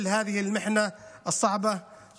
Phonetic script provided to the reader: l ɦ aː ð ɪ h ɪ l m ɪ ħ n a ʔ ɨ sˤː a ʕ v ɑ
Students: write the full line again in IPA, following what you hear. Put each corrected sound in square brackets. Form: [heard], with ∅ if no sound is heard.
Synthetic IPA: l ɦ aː ð ɪ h ɪ l m ɪ ħ n a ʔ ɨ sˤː [ɑ] ʕ [b] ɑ